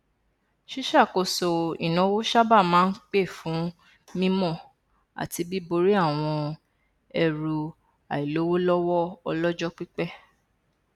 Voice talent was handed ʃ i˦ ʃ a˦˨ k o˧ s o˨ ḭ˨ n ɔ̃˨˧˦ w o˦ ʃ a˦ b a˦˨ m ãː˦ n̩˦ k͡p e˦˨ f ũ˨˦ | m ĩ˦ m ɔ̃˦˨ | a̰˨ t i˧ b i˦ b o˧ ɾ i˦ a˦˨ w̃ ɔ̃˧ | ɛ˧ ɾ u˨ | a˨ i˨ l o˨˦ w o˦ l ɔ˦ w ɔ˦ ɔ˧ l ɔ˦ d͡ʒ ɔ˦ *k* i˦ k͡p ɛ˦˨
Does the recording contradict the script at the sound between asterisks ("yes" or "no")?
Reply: yes